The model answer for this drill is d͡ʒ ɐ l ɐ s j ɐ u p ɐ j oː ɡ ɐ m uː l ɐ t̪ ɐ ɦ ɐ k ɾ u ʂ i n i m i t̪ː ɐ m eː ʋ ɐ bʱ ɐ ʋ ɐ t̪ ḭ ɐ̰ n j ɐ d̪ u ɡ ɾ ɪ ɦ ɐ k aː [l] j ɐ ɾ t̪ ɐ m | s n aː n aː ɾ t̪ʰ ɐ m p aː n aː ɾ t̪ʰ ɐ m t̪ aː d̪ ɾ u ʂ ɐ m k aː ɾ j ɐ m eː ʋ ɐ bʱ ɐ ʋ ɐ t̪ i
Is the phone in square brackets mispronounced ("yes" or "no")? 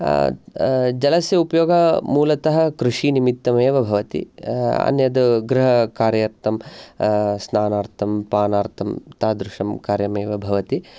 yes